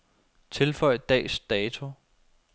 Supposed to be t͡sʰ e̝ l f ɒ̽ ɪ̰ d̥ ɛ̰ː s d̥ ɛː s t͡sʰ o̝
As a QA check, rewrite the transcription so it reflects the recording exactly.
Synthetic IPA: t͡sʰ e̝ l f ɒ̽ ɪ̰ d̥ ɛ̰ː s d̥ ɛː t͡sʰ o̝